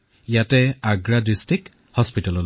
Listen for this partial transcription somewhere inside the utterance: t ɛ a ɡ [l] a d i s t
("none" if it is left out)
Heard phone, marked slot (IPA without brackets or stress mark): ɹ